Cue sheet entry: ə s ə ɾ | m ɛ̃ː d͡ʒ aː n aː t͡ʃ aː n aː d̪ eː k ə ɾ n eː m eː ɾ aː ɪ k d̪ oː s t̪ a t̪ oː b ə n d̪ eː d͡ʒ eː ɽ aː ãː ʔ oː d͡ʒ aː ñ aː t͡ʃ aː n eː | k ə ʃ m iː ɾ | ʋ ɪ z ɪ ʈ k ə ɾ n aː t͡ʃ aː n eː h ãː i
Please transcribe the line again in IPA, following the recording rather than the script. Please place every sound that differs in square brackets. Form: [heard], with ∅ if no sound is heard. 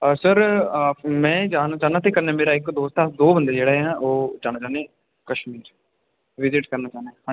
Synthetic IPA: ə s ə ɾ | m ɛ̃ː d͡ʒ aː n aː t͡ʃ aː n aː [t̪] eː k ə ɾ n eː m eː ɾ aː ɪ k d̪ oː s t̪ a [d̪] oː b ə n d̪ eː d͡ʒ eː ɽ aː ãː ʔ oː d͡ʒ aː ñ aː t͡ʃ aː n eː | k ə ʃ m iː ɾ | ʋ ɪ z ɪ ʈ k ə ɾ n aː t͡ʃ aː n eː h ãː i